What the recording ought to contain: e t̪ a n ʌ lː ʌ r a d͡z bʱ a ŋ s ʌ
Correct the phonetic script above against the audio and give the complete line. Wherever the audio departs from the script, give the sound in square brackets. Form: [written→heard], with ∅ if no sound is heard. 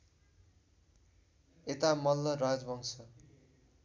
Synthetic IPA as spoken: e t̪ a [n→m] ʌ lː ʌ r a d͡z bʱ [a→ʌ] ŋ s ʌ